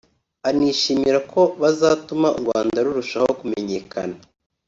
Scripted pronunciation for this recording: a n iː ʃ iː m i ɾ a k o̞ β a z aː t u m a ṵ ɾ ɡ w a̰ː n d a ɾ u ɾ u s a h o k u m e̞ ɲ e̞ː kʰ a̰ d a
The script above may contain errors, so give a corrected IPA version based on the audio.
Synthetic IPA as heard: a n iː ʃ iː m i ɾ a k o̞ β a z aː t u m a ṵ ɾ ɡ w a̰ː n d a ɾ u ɾ u ʃ a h o k u m e̞ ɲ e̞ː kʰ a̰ n a